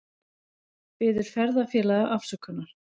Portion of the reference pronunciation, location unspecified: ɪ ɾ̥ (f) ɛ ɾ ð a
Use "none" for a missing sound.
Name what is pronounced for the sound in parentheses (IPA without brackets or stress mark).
f